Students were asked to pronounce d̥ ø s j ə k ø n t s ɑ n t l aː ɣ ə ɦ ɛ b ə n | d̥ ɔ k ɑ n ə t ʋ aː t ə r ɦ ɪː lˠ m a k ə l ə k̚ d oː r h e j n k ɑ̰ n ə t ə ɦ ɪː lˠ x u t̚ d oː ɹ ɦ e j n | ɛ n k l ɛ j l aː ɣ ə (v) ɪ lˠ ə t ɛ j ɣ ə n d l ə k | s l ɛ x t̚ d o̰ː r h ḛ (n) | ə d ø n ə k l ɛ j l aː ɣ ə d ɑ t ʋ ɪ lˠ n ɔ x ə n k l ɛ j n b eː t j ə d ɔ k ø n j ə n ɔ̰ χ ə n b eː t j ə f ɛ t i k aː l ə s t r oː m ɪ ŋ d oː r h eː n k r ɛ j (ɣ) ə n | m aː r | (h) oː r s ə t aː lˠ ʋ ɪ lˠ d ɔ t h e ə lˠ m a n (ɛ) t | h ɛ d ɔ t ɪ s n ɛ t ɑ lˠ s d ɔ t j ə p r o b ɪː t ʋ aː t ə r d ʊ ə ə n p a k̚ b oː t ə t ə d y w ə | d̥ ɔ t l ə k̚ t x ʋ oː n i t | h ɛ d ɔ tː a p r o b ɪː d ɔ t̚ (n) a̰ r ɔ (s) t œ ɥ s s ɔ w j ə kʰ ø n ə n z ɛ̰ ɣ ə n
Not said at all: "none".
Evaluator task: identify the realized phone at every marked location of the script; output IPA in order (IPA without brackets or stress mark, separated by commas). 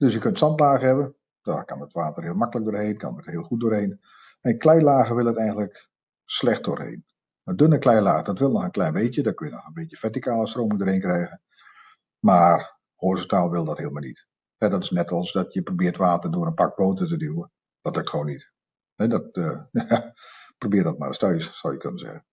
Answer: ʋ, n, ɣ, h, i, m, s